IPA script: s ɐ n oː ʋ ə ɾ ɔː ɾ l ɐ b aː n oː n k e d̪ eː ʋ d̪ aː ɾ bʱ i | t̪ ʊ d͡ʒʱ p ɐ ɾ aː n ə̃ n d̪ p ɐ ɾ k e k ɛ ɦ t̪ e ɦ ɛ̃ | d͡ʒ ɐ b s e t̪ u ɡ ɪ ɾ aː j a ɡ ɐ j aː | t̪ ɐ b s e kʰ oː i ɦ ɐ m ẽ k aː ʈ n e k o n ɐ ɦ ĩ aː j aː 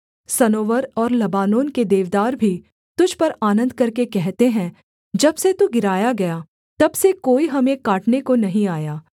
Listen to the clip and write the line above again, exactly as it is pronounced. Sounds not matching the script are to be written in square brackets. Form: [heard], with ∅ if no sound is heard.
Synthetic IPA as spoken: s ɐ n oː ʋ ə ɾ ɔː ɾ l ɐ b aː n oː n k e d̪ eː ʋ d̪ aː ɾ bʱ i | t̪ ʊ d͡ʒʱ p ɐ ɾ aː n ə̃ n d̪ [k] ɐ ɾ k e k ɛ ɦ t̪ e ɦ ɛ̃ | d͡ʒ ɐ b s e t̪ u ɡ ɪ ɾ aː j a ɡ ɐ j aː | t̪ ɐ b s e [k] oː i ɦ ɐ m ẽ k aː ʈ n e k o n ɐ ɦ ĩ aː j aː